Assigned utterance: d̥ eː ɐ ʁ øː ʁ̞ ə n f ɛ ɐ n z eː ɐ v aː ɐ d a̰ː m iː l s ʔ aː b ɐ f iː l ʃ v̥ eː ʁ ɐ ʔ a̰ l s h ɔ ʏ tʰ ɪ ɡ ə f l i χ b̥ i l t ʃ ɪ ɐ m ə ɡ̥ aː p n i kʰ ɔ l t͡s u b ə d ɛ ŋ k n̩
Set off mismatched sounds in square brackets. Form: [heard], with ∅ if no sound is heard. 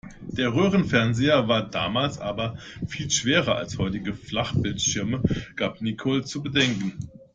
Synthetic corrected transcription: d̥ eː ɐ ʁ øː ʁ̞ ə n f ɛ ɐ n z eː ɐ v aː ɐ d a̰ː m [aː] l s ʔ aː b ɐ f iː l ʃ v̥ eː ʁ ɐ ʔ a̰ l s h ɔ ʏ [t] ɪ ɡ ə f l [a] χ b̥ [ɪ] l t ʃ ɪ ɐ m ə ɡ̥ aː p n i kʰ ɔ l t͡s u b ə d ɛ ŋ k n̩